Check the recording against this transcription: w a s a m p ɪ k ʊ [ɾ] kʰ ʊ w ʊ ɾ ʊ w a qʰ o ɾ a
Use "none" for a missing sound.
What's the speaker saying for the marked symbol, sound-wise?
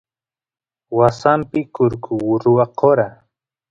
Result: ɾ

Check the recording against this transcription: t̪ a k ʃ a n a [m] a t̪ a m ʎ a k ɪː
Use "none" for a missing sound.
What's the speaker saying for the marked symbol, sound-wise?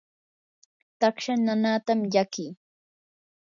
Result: n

